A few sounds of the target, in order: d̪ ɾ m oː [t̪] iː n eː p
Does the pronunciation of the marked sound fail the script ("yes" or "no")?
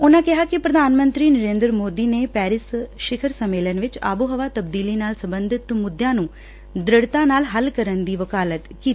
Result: yes